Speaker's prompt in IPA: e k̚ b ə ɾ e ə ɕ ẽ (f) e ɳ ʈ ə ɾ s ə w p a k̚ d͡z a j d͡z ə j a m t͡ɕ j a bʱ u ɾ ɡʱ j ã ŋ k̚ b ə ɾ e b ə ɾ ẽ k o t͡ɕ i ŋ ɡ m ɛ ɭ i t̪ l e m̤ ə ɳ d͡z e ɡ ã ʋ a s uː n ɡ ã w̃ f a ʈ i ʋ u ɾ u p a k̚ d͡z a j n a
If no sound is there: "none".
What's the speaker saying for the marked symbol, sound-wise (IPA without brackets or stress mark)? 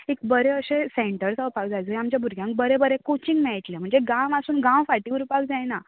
s